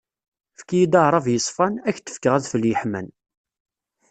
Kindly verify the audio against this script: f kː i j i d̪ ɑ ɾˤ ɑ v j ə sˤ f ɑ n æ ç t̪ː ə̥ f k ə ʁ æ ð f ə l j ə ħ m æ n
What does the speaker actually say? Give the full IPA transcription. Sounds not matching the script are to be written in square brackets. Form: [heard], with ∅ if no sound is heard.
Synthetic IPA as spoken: f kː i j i d̪ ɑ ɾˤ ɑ v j ə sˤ f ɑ n æ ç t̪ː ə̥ f k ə ʁ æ ð f ə l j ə ħ m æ n